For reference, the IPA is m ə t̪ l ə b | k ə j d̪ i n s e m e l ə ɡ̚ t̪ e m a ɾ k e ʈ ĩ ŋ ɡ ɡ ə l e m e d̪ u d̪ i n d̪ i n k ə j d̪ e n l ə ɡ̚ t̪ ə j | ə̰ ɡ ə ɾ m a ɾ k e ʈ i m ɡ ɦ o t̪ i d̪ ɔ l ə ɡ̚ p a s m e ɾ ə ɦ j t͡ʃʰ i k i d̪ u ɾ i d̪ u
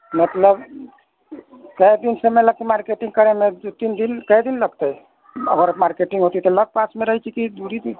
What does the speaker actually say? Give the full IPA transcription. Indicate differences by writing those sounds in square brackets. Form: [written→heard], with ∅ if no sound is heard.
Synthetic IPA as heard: m ə t̪ l ə b | k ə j d̪ i n s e m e l ə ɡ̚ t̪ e m a ɾ k e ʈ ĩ ŋ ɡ [ɡ→k] ə [l→ɾ] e m e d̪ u [d̪→t̪] i n d̪ i n k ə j d̪ [e→i] n l ə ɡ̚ t̪ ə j | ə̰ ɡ ə ɾ m a ɾ k e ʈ i [m→ŋ] ɡ ɦ o t̪ i [d̪→t̪] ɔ l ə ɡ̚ p a s m e ɾ ə ɦ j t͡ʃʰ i k i d̪ u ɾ i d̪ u